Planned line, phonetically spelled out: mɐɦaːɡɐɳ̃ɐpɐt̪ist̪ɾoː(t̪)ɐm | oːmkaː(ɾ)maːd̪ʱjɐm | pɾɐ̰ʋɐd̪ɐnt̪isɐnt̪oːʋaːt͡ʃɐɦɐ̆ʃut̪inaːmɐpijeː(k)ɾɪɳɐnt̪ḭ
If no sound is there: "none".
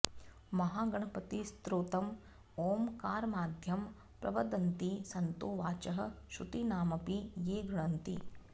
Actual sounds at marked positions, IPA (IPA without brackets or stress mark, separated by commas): t̪, ɾ, ɡ